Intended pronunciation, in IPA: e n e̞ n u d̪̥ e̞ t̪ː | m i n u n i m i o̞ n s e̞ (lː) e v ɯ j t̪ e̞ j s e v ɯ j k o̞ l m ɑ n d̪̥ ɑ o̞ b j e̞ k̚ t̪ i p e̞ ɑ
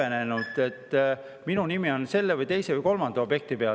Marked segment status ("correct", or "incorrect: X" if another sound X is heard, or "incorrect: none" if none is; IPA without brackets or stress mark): correct